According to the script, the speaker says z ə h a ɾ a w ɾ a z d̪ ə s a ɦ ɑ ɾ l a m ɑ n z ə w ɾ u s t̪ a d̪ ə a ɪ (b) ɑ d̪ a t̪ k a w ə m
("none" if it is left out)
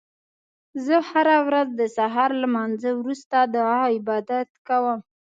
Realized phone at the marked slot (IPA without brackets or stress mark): b